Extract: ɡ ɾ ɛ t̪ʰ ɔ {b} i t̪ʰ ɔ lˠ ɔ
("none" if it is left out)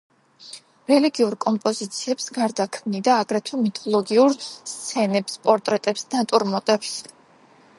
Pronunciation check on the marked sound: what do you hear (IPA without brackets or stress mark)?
m